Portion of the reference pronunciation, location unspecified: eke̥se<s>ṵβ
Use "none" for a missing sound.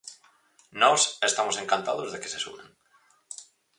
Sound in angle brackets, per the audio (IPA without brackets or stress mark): s